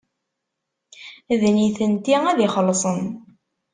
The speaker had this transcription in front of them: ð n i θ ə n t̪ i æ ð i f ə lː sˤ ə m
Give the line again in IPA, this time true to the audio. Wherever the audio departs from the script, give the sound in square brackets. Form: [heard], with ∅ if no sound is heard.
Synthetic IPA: ð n i θ ə n t̪ i æ ð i [χ] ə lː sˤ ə [n]